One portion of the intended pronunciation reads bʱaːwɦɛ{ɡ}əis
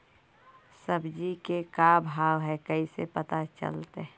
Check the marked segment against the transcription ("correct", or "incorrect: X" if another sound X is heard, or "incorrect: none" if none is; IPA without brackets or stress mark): incorrect: k